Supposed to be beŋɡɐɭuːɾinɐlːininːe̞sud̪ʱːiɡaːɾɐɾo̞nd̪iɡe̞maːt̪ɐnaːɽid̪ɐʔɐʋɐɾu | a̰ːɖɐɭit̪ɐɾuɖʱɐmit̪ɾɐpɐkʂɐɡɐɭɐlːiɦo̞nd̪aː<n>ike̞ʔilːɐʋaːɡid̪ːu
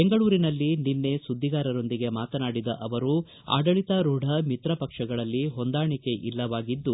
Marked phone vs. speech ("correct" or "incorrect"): incorrect